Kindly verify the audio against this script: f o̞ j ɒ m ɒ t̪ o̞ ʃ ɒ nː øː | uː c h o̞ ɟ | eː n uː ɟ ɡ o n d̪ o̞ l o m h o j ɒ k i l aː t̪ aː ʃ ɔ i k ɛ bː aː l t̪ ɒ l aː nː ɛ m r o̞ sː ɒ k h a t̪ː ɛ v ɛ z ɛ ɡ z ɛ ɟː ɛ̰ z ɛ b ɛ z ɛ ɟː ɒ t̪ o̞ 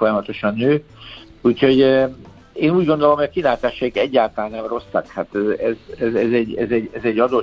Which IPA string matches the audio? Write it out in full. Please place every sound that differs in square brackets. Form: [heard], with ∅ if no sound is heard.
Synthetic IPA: f o̞ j ɒ m ɒ t̪ o̞ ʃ ɒ nː øː | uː c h o̞ ɟ | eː n uː ɟ ɡ o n d̪ o̞ l o m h o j ɒ k i l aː t̪ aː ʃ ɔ i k ɛ [ɟː] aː l t̪ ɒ l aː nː ɛ m r o̞ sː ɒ k h a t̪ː ɛ [z] ɛ z ɛ [∅] z ɛ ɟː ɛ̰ z ɛ [ɟ] ɛ z ɛ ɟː ɒ [d̪] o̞